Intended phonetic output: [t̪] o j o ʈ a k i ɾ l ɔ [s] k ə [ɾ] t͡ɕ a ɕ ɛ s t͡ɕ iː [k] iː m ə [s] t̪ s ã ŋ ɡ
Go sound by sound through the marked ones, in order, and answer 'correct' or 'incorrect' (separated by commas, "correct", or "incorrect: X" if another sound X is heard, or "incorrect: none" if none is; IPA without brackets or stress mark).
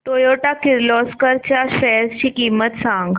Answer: correct, correct, correct, correct, incorrect: none